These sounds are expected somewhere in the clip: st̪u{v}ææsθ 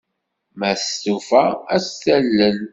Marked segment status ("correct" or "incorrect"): incorrect